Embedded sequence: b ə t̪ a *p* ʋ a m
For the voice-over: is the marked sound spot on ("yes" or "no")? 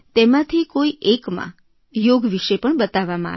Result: no